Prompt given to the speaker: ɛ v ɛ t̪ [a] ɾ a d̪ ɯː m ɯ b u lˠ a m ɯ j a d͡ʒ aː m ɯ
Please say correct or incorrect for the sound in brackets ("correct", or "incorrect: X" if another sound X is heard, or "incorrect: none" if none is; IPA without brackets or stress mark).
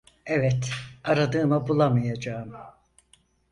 correct